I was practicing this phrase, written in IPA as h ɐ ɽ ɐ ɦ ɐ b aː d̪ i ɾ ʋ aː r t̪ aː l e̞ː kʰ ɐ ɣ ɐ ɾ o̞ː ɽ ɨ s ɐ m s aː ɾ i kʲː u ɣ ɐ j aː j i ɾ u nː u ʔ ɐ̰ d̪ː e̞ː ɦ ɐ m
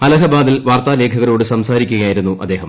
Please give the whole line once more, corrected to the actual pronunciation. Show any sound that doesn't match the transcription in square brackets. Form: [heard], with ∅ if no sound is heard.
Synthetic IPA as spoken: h ɐ [l] ɐ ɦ ɐ b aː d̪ i [l] ʋ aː r t̪ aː l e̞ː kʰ ɐ ɣ ɐ ɾ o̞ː ɽ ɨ s ɐ m s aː ɾ i kʲː u ɣ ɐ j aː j i ɾ u nː u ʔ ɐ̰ d̪ː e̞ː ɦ ɐ m

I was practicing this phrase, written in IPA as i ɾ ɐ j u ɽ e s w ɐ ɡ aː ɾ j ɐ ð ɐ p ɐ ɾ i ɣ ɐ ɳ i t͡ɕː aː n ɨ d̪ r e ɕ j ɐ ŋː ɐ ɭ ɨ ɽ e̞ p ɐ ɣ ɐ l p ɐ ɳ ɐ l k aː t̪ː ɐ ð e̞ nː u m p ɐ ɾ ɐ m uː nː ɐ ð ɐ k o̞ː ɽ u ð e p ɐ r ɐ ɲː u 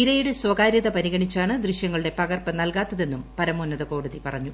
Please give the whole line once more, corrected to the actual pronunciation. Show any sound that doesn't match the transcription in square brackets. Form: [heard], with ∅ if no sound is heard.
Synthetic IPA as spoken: i ɾ ɐ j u ɽ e s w ɐ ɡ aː ɾ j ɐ ð ɐ p ɐ ɾ i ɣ ɐ ɳ i t͡ɕː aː [ɳ] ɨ d̪ r [i] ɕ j ɐ ŋː ɐ ɭ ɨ ɽ e̞ p ɐ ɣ ɐ [r] p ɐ [n] ɐ l k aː t̪ː ɐ ð e̞ nː u m p ɐ ɾ ɐ m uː nː ɐ ð ɐ k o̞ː ɽ u ð [i] p ɐ r ɐ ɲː u

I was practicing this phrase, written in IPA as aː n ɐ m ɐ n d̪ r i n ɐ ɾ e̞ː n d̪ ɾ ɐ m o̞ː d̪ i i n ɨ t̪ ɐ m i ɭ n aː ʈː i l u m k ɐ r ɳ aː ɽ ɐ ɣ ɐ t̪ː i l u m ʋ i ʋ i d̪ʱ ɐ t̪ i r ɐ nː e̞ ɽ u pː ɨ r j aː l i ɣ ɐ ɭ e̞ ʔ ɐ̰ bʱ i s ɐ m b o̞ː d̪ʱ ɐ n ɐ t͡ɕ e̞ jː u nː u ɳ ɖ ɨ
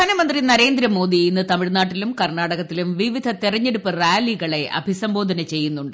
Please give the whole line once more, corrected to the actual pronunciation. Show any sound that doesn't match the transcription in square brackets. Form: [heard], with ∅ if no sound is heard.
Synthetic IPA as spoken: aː n ɐ m ɐ n d̪ r i n ɐ ɾ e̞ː n d̪ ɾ ɐ m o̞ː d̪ i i [nː] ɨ t̪ ɐ m i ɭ n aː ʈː i l u m k ɐ r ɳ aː ɽ ɐ ɣ ɐ t̪ː i l u m ʋ i ʋ i d̪ʱ ɐ t̪ i r ɐ [ɲː] e̞ ɽ u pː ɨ r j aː l i ɣ ɐ ɭ e̞ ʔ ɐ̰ bʱ i s ɐ m b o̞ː d̪ʱ ɐ n ɐ t͡ɕ e̞ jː u nː u ɳ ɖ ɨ

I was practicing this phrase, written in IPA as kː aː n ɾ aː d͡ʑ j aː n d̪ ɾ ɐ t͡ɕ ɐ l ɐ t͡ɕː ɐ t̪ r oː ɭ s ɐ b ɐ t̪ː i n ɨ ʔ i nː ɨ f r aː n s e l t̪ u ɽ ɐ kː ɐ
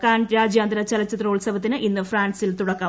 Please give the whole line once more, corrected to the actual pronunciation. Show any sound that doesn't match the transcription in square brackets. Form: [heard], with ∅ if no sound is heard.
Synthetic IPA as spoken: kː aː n ɾ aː d͡ʑ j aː n d̪ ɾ ɐ t͡ɕ ɐ l ɐ t͡ɕː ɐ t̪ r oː ɭ s ɐ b ɐ t̪ː i n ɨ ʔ i nː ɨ f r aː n s [i] l t̪ u ɽ ɐ kː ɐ

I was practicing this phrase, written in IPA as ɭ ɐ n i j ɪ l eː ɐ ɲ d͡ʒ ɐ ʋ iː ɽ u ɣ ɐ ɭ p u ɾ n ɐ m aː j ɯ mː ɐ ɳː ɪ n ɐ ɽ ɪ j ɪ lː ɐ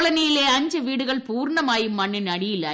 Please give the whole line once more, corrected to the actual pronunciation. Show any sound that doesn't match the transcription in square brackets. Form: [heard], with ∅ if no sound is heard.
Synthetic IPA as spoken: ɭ ɐ n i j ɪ l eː ɐ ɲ d͡ʒ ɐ ʋ iː ɽ [ɯ] ɣ ɐ ɭ p [uː] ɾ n ɐ m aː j ɯ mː ɐ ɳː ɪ n ɐ ɽ ɪ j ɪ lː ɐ

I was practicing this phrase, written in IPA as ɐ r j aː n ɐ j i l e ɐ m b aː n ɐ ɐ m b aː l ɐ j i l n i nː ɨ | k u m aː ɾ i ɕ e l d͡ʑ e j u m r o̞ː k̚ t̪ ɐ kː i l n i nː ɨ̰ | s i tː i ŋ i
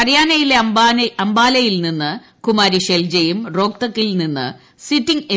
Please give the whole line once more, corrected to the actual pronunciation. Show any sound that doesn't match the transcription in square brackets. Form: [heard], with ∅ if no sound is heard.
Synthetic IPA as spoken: ɐ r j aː n ɐ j i l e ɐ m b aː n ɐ ɐ m b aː l ɐ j i l n i nː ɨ | k u m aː ɾ i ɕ e l d͡ʑ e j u m r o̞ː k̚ t̪ ɐ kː i l n i nː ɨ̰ | s i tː i ŋ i

